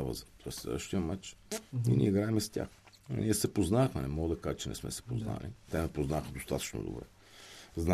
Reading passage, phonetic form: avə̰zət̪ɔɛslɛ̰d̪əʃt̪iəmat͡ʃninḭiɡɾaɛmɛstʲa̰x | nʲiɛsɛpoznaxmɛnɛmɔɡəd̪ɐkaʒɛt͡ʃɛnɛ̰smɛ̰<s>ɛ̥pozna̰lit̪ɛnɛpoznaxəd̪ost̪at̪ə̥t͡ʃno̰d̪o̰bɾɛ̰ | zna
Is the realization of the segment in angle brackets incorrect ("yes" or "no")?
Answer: no